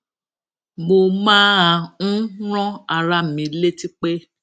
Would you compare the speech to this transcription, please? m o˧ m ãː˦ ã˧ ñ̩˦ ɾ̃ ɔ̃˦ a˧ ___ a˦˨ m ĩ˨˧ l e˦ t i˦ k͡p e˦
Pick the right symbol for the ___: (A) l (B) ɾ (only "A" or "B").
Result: B